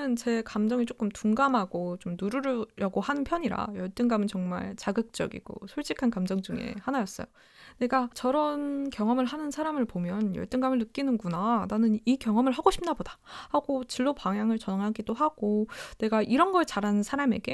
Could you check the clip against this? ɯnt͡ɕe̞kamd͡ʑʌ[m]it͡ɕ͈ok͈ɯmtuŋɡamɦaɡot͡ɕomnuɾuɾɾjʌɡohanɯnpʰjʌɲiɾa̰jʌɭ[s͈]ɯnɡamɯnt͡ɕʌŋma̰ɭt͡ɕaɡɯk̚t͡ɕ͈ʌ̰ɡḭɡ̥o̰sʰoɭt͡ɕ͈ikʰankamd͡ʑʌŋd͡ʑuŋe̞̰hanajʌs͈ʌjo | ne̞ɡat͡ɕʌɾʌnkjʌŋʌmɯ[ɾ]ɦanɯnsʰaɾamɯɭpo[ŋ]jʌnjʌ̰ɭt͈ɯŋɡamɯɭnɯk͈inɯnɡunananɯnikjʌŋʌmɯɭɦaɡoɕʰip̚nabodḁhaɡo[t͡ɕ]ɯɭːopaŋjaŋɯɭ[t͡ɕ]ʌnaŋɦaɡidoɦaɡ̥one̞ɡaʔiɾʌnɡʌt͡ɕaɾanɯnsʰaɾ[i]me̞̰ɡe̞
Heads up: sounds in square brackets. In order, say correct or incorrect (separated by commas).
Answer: incorrect, incorrect, incorrect, incorrect, correct, correct, incorrect